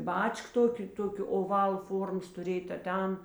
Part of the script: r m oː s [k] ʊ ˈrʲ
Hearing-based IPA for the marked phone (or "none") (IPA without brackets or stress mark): t